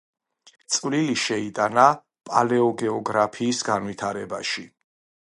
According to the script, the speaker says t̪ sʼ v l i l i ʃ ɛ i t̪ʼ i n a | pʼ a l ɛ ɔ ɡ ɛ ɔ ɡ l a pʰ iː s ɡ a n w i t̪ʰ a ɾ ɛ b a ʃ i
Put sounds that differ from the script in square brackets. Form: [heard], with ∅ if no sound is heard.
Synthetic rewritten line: t̪ sʼ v l i l i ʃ ɛ i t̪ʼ [a] n a | pʼ a l ɛ ɔ ɡ ɛ ɔ ɡ [ɾ] a pʰ iː s ɡ a n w i t̪ʰ a ɾ ɛ b a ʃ i